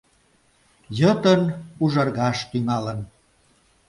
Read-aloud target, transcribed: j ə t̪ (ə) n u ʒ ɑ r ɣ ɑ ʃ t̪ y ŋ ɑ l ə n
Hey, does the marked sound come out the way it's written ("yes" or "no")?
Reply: yes